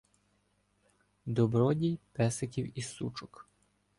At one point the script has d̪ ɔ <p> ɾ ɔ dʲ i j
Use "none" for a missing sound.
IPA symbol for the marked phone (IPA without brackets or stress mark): b